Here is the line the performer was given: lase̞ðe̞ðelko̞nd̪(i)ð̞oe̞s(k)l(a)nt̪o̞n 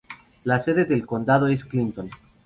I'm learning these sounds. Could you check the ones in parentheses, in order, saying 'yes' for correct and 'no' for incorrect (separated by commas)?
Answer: no, yes, no